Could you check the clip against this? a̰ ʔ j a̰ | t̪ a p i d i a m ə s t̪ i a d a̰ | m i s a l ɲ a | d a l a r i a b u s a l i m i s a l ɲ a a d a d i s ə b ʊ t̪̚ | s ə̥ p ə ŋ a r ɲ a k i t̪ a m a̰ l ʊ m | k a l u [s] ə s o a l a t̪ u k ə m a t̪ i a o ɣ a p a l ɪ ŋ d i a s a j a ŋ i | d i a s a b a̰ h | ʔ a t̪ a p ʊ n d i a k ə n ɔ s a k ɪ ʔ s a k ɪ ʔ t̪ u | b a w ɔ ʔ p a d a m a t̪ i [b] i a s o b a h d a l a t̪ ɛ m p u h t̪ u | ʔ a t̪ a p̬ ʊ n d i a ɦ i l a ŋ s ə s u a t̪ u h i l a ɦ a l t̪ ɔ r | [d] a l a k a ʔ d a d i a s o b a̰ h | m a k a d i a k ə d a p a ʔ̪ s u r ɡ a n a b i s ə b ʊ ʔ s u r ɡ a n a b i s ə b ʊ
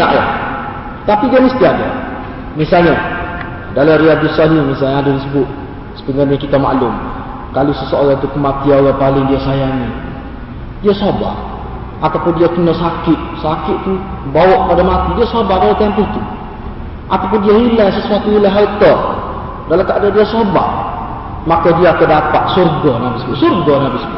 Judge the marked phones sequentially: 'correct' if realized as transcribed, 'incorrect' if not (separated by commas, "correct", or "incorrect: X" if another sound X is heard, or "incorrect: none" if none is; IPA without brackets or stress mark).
correct, incorrect: d, correct